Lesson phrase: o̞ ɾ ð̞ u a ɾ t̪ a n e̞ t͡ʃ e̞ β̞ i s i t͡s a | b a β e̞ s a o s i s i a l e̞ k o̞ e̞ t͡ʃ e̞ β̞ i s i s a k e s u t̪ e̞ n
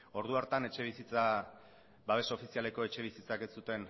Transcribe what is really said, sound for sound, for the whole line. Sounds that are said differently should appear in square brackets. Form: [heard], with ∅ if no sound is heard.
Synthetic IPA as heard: o̞ ɾ ð̞ u a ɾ t̪ a n e̞ t͡ʃ e̞ β̞ i s i t͡s a | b a β e̞ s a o [f] i s i a l e̞ k o̞ e̞ t͡ʃ e̞ β̞ i s i [t͡s] a k e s u t̪ e̞ n